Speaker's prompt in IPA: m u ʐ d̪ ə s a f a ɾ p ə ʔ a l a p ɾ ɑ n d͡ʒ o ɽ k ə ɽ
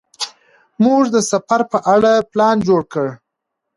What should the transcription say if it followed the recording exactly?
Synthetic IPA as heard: m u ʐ d̪ ə s a f a ɾ p ə ʔ a ɽ a p l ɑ n d͡ʒ o ɽ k ə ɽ